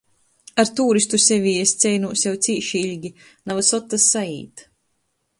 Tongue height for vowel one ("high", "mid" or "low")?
low